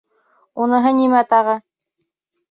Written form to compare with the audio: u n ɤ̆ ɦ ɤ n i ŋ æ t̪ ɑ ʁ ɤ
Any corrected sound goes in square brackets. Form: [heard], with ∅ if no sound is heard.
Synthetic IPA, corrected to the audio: u n ɤ̆ ɦ ɤ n i [m] æ t̪ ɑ ʁ ɤ